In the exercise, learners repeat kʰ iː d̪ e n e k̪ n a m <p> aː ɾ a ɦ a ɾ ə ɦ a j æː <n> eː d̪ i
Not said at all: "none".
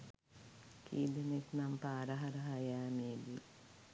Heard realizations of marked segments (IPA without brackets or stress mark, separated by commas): p, m